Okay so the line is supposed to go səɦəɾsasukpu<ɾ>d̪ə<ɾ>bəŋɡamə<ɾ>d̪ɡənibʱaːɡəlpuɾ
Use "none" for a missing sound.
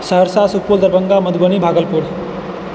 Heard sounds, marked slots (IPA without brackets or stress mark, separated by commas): l, ɾ, none